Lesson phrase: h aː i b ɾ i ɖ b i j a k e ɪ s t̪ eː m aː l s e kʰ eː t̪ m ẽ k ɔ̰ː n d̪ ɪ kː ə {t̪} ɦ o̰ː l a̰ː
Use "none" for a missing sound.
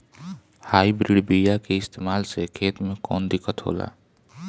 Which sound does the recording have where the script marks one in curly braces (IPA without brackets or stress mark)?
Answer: t̪